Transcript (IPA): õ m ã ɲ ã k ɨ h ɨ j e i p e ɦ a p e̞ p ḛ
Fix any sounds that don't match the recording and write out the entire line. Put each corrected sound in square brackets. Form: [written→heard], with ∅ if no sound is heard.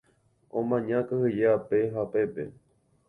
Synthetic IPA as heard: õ m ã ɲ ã k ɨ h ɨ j e [i→a] p e ɦ a p e̞ p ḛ